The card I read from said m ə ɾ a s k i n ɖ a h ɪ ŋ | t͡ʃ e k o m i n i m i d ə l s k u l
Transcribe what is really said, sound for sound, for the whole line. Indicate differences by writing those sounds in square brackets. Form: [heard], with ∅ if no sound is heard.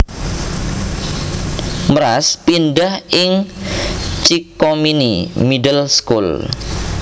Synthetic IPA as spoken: m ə ɾ a s [p] i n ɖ a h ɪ ŋ | t͡ʃ [i] k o m i n i m i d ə l s k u l